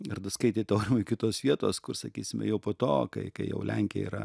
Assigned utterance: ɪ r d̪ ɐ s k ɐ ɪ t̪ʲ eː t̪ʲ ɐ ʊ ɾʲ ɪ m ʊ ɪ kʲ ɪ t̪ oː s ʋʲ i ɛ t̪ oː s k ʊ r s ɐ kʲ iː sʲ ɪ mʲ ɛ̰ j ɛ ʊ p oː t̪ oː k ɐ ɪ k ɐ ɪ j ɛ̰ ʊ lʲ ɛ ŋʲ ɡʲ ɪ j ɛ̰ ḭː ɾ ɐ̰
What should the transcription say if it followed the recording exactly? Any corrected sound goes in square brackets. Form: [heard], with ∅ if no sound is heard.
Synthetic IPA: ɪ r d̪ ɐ s k ɐ ɪ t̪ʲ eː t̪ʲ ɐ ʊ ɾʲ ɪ m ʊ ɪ kʲ ɪ t̪ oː s ʋʲ i ɛ t̪ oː s k ʊ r s ɐ kʲ iː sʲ ɪ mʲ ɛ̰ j ɛ ʊ p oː t̪ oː k ɐ ɪ k ɐ ɪ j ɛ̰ ʊ lʲ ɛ ŋʲ [kʲ] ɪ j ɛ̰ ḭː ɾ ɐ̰